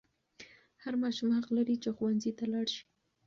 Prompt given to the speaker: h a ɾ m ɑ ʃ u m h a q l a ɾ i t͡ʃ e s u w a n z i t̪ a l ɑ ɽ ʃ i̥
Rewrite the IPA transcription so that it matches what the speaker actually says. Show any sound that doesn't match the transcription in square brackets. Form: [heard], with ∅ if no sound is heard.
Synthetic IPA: h a ɾ m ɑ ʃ u m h a q l a ɾ i t͡ʃ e [x] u w a n z i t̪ a l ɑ ɽ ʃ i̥

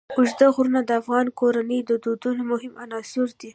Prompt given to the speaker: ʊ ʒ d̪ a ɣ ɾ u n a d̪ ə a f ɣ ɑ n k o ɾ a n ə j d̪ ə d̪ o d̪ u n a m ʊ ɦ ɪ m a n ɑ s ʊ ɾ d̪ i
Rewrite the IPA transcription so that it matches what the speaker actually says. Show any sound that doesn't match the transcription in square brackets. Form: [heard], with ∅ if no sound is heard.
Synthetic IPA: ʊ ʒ d̪ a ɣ ɾ u n a d̪ ə a f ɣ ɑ n k o ɾ a n ə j d̪ ə d̪ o d̪ u n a m ʊ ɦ ɪ m a n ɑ s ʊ ɾ d̪ i

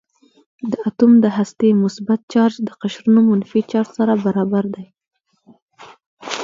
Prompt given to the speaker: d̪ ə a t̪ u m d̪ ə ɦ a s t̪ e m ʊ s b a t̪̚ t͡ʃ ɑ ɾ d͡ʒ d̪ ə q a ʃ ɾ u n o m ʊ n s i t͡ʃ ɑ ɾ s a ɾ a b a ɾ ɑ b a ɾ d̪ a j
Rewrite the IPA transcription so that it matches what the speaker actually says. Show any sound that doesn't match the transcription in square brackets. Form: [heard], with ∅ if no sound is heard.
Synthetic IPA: d̪ ə a t̪ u m d̪ ə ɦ a s t̪ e m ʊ s b a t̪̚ t͡ʃ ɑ ɾ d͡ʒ d̪ ə q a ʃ ɾ u n o m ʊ n [f] i t͡ʃ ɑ ɾ s a ɾ a b a ɾ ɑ b a ɾ d̪ a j

